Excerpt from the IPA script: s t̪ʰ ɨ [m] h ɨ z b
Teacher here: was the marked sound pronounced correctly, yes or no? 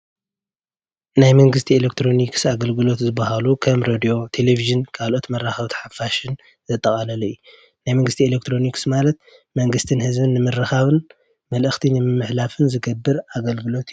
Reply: no